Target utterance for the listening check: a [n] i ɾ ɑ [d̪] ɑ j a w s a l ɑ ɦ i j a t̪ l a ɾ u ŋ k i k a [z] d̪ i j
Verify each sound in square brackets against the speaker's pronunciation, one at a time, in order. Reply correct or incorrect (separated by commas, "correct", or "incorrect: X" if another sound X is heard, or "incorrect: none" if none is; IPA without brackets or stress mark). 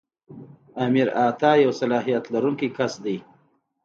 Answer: incorrect: m, incorrect: t̪, incorrect: s